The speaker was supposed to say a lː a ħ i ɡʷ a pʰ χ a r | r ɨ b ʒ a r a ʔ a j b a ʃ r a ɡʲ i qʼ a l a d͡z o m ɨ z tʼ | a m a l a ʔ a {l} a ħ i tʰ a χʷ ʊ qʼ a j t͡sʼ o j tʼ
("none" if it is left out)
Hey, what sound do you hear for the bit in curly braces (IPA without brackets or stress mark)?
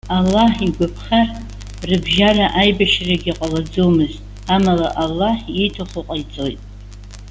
lː